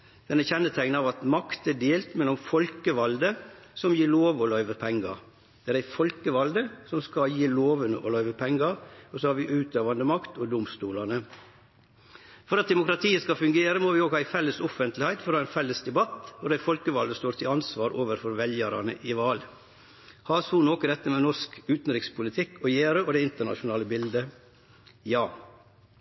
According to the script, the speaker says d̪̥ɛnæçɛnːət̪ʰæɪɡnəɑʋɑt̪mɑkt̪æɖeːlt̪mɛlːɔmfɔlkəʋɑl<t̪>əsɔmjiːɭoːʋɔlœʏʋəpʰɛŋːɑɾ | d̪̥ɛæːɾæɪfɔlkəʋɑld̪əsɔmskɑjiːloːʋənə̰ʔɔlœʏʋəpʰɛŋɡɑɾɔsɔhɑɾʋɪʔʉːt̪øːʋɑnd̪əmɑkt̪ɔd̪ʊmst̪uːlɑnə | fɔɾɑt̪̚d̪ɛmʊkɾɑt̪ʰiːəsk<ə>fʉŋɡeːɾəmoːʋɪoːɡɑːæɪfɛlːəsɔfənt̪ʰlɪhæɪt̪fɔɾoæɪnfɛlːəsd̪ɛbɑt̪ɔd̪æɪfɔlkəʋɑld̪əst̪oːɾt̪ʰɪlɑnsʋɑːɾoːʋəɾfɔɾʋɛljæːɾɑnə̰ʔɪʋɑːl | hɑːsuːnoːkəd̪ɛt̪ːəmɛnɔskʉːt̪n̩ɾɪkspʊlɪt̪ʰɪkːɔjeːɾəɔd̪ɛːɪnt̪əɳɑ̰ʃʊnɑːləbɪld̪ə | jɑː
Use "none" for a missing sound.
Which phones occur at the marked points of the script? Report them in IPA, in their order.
d̪, ɑ

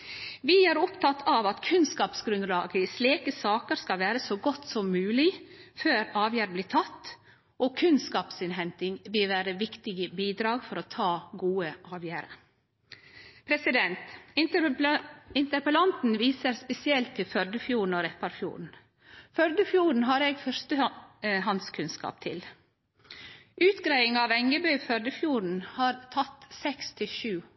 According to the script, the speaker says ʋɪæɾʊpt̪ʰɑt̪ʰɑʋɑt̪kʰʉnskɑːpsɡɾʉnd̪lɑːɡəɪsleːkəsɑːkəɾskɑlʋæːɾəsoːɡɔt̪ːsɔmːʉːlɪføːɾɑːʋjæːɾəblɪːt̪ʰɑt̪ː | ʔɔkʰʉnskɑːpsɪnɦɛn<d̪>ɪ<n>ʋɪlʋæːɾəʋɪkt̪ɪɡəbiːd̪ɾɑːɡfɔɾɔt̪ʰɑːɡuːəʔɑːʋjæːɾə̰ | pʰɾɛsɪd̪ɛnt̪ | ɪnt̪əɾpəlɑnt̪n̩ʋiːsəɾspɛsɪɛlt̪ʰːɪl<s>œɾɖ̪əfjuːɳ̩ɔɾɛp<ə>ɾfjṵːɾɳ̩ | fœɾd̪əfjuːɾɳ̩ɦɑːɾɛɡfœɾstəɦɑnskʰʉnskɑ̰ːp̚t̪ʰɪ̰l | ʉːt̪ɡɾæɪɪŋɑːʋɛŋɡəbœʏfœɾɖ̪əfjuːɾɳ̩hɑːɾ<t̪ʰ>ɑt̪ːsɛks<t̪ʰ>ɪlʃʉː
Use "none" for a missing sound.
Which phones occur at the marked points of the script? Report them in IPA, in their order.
t̪, ŋ, f, ɑ, t̪ʰ, t̪ʰ

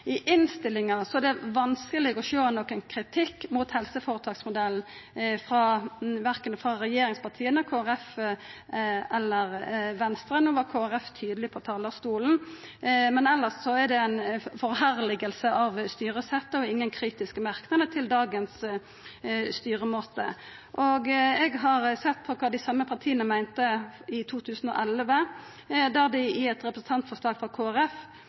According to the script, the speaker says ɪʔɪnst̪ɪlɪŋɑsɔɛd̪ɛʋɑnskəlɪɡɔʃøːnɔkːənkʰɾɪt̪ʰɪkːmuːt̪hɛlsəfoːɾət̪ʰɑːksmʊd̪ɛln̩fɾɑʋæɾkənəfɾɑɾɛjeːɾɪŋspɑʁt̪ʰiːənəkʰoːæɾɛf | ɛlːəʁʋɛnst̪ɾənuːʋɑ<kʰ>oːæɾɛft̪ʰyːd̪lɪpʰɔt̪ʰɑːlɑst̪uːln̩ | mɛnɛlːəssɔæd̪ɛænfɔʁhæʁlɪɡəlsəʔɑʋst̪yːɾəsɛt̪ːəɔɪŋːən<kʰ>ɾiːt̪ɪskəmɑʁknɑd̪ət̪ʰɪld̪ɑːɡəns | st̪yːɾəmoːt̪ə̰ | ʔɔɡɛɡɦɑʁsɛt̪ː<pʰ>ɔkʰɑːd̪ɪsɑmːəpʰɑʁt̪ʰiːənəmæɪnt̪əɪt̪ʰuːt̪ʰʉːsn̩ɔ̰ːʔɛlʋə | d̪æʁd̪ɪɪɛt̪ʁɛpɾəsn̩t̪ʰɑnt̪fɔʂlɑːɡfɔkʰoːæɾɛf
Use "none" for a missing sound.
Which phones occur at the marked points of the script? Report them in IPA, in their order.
kʰ, kʰ, pʰ

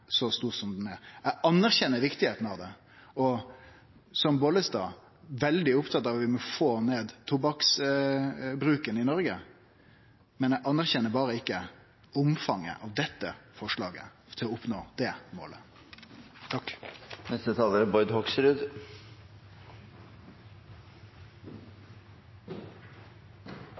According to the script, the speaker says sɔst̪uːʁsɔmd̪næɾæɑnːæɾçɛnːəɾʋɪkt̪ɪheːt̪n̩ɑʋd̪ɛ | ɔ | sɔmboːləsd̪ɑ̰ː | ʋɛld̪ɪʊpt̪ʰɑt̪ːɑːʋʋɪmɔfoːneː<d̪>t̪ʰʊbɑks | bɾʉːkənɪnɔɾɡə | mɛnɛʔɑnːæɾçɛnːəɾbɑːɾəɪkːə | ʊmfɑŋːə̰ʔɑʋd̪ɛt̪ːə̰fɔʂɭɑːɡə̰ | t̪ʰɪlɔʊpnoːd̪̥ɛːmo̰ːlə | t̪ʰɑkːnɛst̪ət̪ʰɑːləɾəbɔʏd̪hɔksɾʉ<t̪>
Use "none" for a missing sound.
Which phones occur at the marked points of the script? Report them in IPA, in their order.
d̪, d̪

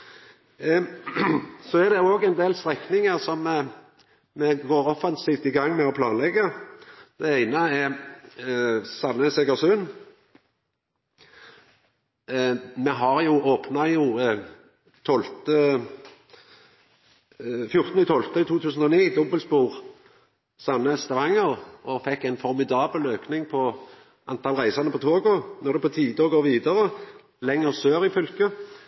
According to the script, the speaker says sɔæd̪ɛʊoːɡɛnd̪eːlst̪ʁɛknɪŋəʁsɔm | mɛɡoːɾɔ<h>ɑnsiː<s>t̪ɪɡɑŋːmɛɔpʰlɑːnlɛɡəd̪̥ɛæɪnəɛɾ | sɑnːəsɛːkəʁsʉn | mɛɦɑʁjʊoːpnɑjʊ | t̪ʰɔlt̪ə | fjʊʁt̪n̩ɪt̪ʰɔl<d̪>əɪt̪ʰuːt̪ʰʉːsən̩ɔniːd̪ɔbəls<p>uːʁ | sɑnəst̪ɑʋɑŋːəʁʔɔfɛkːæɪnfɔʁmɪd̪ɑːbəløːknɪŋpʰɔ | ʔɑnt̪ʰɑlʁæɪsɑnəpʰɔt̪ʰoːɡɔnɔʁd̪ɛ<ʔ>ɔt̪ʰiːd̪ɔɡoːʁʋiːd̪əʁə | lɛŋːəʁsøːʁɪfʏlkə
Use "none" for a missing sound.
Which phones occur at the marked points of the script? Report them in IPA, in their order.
f, f, t̪, p, p

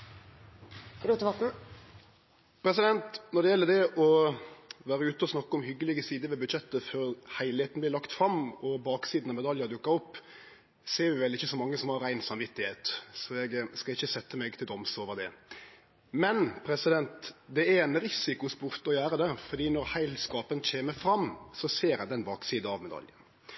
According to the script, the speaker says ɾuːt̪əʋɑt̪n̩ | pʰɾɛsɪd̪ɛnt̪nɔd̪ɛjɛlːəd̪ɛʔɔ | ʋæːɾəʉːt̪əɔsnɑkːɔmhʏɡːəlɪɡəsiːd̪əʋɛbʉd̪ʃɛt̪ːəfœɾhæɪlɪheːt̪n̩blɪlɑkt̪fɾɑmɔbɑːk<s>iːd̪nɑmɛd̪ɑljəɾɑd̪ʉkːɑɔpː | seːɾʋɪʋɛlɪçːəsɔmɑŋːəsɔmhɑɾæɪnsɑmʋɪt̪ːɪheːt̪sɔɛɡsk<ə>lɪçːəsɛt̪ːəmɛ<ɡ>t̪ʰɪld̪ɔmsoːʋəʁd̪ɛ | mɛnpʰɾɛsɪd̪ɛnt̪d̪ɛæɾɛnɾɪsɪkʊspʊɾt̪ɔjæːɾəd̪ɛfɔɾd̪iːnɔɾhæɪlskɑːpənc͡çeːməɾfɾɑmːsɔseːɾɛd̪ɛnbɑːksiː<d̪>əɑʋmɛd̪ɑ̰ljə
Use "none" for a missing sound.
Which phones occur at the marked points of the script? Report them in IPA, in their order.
s, ɑ, ɡ, d̪

